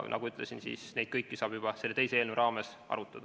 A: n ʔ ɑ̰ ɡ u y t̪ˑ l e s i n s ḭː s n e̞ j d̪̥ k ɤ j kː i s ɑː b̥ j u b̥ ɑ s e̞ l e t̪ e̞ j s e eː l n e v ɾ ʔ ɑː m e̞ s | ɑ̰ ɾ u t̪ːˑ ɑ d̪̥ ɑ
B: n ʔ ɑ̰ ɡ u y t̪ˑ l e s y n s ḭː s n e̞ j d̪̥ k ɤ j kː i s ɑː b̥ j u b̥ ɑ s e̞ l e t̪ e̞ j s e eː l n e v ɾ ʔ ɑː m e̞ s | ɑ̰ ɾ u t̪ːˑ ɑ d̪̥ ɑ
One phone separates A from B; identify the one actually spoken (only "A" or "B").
A